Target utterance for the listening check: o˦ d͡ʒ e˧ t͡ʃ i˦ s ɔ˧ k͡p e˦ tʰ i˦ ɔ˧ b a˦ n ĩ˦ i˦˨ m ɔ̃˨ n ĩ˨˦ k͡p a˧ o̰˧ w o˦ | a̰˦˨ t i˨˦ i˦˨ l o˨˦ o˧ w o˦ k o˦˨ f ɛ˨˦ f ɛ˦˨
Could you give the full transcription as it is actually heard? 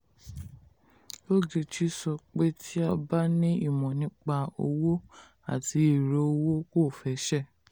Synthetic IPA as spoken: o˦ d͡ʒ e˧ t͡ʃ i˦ s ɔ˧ k͡p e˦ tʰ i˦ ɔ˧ b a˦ n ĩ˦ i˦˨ m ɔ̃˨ n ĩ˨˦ k͡p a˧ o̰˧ w o˦ | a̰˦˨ t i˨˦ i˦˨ ɾ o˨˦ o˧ w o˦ k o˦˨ f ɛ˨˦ ʃ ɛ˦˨